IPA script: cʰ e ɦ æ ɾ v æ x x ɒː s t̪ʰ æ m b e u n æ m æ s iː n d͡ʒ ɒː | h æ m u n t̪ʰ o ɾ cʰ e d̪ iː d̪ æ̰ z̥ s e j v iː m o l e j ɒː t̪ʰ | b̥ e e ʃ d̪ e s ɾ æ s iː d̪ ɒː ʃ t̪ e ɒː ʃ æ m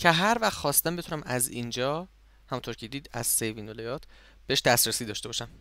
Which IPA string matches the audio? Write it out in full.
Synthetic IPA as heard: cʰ e ɦ æ ɾ v æ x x ɒː s t̪ æ m b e u n æ m æ z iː n d͡ʒ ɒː | h æ m u n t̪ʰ o ɾ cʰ e d̪ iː d̪ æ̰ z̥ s e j v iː n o l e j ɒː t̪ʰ | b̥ e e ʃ d̪ æ s ɾ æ s iː d̪ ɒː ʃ t̪ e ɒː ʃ æ m